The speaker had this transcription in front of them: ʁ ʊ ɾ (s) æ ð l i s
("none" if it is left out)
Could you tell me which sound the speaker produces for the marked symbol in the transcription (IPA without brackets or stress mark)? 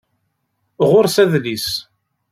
s